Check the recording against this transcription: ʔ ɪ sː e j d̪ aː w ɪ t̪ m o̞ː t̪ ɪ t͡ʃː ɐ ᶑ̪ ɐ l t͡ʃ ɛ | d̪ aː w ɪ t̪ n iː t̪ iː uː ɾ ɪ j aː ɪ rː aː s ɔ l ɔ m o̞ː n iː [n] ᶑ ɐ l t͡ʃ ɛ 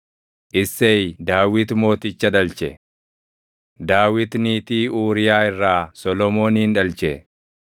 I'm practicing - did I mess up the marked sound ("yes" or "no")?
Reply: no